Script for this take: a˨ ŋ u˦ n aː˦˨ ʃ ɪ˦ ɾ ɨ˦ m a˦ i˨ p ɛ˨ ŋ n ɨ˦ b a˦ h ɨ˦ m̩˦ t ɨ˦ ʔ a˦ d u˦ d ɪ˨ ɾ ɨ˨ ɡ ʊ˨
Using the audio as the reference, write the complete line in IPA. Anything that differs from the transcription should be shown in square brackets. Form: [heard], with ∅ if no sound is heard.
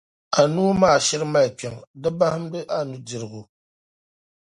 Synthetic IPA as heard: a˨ [n] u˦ [m] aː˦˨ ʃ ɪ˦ ɾ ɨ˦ m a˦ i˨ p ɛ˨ ŋ [d] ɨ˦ b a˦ h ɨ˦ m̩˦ [d] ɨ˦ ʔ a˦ [n] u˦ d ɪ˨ ɾ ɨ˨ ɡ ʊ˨